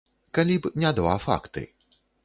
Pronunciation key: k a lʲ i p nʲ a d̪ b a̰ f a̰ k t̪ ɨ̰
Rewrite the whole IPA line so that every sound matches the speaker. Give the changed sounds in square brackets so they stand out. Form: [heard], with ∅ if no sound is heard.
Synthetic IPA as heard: k a lʲ i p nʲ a d̪ [v] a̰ f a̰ k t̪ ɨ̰